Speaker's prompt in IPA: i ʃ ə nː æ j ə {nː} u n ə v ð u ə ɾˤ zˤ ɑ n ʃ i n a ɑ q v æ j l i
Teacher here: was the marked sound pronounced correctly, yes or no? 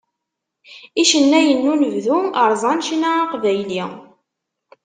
yes